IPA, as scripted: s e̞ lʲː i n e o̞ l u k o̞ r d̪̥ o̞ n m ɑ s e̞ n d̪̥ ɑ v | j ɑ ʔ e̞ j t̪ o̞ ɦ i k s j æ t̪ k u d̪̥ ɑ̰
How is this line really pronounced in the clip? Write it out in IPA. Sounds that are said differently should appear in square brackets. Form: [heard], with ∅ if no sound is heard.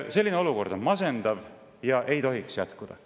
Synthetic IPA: s e̞ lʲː i n e o̞ l u k o̞ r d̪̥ o̞ n m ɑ s e̞ n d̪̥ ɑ v | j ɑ ʔ e̞ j t̪ o̞ ɦ i k s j æ t̪ k u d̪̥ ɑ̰